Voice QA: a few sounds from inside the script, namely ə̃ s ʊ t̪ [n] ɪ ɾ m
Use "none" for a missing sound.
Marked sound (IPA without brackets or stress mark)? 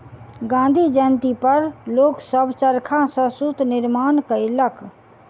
n